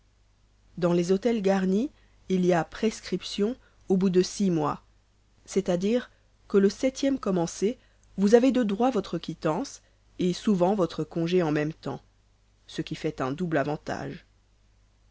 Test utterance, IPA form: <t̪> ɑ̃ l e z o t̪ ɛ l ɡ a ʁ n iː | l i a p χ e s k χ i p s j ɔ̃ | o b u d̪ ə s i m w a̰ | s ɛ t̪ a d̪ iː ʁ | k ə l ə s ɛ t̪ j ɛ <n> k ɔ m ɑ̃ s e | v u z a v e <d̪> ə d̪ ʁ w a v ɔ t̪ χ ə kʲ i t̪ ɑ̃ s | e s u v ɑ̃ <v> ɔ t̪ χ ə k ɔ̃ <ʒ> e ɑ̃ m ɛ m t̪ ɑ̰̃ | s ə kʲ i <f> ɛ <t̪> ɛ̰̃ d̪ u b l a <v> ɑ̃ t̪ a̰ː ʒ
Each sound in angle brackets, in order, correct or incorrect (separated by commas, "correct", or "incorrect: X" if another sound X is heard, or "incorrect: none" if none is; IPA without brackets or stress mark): incorrect: d̪, incorrect: m, correct, correct, correct, correct, correct, correct